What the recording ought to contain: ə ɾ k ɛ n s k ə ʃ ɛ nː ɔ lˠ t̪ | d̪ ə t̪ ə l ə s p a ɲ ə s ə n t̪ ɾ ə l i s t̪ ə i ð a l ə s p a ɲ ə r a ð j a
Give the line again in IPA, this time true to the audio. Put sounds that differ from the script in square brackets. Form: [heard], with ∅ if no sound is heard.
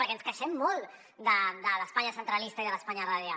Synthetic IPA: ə ɾ k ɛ n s k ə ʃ ɛ [mː] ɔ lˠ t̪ | d̪ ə [d̪] ə l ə s p a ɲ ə s ə n t̪ ɾ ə l i s t̪ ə i ð [ə] l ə s p a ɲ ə r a ð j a